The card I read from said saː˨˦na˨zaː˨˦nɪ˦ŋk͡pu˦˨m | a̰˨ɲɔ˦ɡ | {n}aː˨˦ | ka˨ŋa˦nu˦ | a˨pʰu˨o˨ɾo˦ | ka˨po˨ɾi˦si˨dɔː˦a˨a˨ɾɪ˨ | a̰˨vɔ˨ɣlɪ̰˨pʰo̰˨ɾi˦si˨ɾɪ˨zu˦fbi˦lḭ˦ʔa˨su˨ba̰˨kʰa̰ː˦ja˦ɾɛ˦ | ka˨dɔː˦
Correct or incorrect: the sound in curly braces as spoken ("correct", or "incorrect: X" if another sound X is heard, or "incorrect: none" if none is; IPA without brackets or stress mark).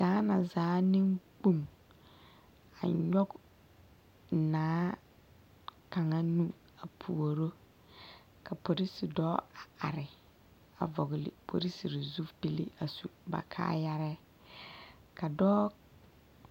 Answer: correct